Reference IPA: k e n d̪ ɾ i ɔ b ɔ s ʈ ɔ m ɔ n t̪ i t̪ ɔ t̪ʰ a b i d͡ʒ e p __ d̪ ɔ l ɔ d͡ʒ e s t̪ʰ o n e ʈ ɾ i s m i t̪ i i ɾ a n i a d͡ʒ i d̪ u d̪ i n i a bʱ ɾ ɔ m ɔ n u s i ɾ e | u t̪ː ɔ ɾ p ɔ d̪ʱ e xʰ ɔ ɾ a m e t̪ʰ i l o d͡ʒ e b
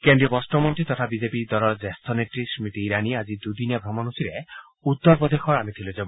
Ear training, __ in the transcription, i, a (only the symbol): i